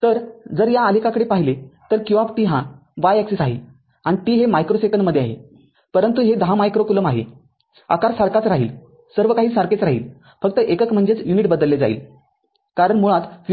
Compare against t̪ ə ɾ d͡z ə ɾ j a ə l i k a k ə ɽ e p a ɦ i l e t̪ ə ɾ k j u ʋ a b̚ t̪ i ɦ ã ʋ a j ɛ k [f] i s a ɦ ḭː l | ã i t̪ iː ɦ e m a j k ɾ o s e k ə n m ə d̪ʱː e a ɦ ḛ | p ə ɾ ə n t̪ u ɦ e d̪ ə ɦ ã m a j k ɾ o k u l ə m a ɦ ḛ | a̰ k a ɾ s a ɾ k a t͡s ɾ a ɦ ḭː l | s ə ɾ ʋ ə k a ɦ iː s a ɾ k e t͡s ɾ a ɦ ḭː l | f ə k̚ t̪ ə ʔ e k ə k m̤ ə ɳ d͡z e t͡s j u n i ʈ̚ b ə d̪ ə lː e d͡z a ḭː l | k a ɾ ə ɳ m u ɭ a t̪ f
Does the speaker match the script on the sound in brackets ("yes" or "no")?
no